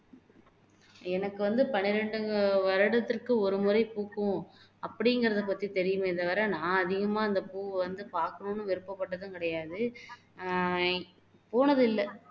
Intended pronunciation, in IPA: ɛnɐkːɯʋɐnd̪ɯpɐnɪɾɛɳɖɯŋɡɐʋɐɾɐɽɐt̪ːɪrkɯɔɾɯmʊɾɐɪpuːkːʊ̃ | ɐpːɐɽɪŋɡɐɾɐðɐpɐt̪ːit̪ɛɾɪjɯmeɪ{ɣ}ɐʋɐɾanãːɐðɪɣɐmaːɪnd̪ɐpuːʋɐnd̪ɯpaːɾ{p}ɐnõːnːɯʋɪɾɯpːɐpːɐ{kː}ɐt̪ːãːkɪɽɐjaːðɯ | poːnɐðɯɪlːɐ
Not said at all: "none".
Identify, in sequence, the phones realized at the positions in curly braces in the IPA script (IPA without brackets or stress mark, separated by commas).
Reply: ð, k, ʈː